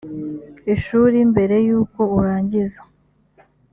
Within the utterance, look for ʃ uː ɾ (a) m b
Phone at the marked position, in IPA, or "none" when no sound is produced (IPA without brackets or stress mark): i